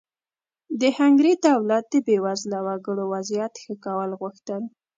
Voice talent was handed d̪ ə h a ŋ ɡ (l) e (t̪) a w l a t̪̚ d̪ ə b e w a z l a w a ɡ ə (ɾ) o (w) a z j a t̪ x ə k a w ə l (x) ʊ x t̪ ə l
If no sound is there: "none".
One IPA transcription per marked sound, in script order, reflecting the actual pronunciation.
ɾ, d̪, ɽ, w, ɣ

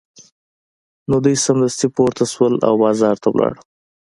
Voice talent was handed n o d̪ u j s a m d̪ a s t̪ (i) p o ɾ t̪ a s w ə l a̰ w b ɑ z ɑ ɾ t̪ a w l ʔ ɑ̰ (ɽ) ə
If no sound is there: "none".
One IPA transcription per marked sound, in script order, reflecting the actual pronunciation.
i, ɽ

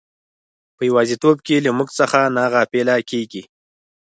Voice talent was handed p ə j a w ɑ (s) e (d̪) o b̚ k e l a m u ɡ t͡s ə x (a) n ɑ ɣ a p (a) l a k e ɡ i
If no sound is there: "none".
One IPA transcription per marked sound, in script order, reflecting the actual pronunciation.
z, t̪, a, e

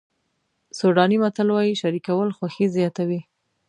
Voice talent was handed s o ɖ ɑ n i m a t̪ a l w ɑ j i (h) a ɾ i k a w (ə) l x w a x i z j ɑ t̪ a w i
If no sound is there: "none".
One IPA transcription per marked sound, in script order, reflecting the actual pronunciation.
ʃ, ə

